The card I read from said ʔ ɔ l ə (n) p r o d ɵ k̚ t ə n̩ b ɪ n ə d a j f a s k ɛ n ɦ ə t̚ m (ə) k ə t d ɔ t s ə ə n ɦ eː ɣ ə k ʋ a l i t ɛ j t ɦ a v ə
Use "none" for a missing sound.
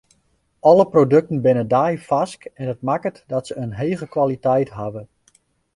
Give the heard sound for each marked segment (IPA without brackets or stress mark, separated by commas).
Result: none, a